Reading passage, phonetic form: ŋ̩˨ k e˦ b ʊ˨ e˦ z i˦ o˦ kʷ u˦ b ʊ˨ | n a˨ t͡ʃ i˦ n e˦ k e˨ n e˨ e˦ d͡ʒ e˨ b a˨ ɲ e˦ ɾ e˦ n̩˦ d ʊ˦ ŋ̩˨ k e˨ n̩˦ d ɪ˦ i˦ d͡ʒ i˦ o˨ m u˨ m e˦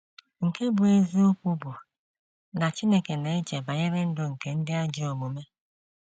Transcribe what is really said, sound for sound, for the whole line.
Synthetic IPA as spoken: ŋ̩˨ k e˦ b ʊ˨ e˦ z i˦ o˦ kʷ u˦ b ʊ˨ | n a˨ t͡ʃ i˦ n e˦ k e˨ n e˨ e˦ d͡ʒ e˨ b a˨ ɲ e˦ ɾ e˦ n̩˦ d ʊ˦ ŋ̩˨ k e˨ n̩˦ d ɪ˦ a˦ d͡ʒ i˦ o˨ m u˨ m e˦